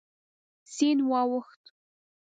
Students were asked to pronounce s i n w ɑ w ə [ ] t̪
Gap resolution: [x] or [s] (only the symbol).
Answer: x